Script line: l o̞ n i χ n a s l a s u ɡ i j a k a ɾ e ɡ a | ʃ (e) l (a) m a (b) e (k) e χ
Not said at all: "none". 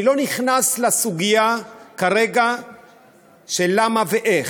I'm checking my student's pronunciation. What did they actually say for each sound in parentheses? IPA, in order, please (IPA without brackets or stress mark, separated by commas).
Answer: e, a, v, ʔ